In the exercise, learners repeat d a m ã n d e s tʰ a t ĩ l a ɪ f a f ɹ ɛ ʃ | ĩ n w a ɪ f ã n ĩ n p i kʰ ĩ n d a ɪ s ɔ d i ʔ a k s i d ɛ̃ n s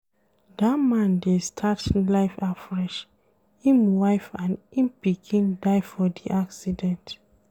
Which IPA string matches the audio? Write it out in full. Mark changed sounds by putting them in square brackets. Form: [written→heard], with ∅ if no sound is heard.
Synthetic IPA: d a m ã n d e s tʰ a t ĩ l a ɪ f a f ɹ ɛ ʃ | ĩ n w a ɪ f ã n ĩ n p i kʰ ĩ n d a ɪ [s→f] ɔ d i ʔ a k s i d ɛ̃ n [s→t]